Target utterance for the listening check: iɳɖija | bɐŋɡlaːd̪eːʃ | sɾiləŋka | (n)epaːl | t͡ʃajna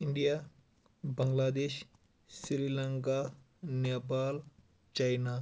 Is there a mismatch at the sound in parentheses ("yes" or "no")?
no